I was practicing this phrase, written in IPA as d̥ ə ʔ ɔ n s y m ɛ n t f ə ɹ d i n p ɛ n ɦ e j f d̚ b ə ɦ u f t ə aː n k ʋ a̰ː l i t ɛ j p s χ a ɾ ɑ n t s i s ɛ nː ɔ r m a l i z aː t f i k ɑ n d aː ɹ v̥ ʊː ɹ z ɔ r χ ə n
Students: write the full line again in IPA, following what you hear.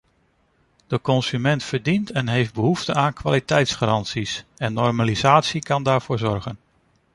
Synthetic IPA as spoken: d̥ ə k ɔ n s y m ɛ n t f ə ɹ d i n t ɛ n ɦ e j f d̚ b ə ɦ u f t ə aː n k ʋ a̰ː l i t ɛ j t s χ a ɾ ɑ n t s i s ɛ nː ɔ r m a l i z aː t s i k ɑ n d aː ɹ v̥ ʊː ɹ z ɔ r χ ə n